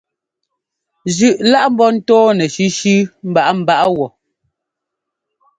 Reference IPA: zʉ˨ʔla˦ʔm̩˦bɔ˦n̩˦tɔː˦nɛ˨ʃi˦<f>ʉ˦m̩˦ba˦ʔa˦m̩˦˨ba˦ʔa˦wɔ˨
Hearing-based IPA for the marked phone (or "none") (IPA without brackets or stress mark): ʃ